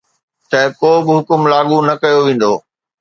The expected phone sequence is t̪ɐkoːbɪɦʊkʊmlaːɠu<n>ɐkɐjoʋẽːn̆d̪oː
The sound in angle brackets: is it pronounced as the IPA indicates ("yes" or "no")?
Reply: yes